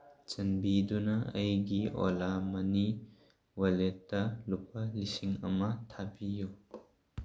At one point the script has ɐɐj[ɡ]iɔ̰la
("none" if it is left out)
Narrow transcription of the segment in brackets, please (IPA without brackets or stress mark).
ɡ